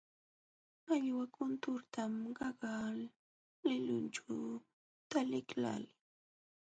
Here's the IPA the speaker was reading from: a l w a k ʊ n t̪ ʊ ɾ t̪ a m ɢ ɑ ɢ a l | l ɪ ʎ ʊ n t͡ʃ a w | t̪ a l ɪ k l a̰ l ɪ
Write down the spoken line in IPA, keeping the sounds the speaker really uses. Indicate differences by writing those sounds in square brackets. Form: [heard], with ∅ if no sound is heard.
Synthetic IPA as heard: a [ʎ] w a k ʊ n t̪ ʊ ɾ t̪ a m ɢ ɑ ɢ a l | l ɪ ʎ ʊ n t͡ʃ a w | t̪ a l ɪ k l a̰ l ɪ